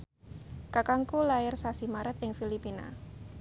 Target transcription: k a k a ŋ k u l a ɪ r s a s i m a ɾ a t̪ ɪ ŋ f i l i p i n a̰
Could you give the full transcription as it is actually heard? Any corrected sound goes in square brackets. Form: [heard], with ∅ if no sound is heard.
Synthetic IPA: k a k a ŋ k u l a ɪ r s a s i m a ɾ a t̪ ɪ ŋ f i l i p i n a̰